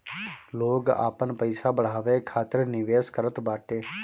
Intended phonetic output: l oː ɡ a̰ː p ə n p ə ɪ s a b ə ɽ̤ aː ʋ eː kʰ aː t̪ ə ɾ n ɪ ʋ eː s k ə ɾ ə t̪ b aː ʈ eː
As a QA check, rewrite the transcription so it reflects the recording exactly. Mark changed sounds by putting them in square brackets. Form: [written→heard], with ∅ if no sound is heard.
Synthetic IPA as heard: l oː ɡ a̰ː p ə n p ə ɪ s a b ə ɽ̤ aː ʋ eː kʰ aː t̪ ə ɾ n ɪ ʋ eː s k ə ɾ ə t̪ b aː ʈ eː